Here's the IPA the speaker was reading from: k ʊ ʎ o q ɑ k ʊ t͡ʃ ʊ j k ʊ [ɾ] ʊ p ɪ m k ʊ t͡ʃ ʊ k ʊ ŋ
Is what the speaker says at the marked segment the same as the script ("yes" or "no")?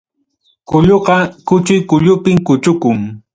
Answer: no